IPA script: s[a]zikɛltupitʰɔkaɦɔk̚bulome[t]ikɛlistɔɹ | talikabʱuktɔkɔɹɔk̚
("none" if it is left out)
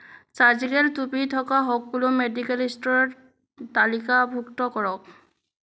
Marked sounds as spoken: a, d

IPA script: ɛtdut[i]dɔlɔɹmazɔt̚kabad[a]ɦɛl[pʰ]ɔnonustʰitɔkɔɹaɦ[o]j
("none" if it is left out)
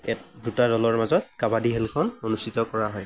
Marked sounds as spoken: a, i, kʰ, ɔ

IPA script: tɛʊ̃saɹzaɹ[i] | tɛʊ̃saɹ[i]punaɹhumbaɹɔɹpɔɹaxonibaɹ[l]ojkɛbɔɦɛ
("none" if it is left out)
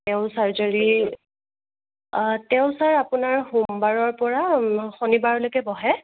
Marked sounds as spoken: i, a, l

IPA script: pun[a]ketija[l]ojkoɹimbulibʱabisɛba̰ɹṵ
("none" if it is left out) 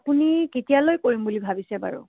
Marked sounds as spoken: i, l

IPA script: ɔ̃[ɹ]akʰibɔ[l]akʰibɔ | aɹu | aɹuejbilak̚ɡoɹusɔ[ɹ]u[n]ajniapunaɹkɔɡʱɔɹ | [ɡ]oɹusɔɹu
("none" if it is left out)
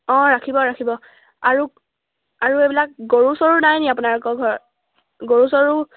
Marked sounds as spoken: ɹ, ɹ, ɹ, n, ɡ

